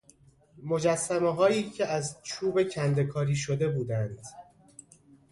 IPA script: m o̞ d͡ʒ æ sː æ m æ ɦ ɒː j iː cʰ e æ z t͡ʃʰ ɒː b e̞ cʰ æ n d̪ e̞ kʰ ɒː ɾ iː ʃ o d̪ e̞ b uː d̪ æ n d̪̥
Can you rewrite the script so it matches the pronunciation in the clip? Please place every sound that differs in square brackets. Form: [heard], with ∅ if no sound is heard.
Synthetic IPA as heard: m o̞ d͡ʒ æ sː æ m [e] ɦ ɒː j iː cʰ e æ z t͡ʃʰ [uː] b e̞ cʰ æ n d̪ e̞ kʰ ɒː ɾ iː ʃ o d̪ e̞ b uː d̪ æ n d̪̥